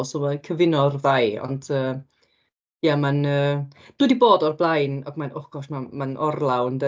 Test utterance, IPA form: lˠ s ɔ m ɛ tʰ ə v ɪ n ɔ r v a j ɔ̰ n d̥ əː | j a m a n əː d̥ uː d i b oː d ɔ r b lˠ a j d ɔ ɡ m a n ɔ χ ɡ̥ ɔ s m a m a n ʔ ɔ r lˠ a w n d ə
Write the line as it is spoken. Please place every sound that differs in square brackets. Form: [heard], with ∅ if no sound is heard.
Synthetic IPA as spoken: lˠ s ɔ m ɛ [kʰ] ə v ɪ n ɔ r v a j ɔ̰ n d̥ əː | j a m a n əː d̥ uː d i b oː d ɔ r b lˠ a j [n] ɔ ɡ m a n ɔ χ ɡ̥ ɔ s m a m a n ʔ ɔ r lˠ a w n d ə